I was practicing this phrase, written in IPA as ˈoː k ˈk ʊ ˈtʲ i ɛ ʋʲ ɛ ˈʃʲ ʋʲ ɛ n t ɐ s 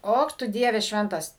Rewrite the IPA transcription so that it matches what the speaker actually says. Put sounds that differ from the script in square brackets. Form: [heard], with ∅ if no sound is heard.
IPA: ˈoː k [ˈt] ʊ [ˈdʲ] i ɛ ʋʲ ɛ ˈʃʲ ʋʲ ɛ n t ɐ s